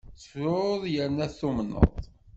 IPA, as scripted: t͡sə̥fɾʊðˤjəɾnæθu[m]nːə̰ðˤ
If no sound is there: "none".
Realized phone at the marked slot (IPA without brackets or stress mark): m